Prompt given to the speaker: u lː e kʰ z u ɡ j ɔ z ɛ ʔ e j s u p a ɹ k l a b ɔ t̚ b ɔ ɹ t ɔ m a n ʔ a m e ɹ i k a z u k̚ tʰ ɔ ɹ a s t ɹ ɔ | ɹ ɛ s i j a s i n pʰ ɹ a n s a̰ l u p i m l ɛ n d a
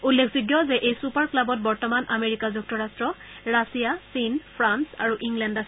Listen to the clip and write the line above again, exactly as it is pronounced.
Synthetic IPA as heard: u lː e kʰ z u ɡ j ɔ z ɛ ʔ e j s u p a ɹ k l a b ɔ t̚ b ɔ ɹ t ɔ m a n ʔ a m e ɹ i k a z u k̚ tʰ ɔ ɹ a s t ɹ ɔ | ɹ a s i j a s i n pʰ ɹ a n s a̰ ɹ u ʔ i ŋ l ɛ n d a